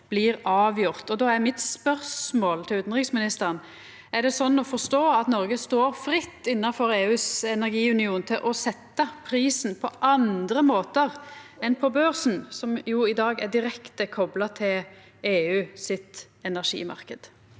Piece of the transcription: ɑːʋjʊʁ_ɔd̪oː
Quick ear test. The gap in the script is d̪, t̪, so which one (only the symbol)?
t̪